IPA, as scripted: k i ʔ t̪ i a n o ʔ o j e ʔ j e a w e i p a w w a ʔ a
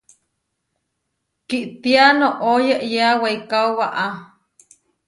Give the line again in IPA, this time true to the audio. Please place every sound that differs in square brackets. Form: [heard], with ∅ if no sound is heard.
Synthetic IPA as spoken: k i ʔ t̪ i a n o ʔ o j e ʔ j e a w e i [k] a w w a ʔ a